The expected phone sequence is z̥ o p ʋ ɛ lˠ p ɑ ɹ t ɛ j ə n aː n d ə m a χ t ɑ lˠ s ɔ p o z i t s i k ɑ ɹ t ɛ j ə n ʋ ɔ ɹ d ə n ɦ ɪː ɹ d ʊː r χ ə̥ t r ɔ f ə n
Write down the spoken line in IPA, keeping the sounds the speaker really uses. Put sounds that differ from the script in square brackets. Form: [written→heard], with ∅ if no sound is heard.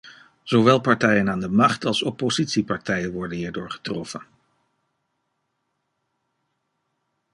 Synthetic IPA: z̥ o [p→∅] ʋ ɛ lˠ p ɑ ɹ t ɛ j ə n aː n d ə m [a→ɑ] χ t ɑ lˠ s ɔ p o z i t s i [k→p] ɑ ɹ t ɛ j ə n ʋ ɔ ɹ d ə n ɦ [ɪː→iː] ɹ d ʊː [r→ɹ] χ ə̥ t r ɔ f ə n